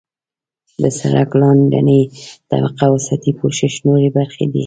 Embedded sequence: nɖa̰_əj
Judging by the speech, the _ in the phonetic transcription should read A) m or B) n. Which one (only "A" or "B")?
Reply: B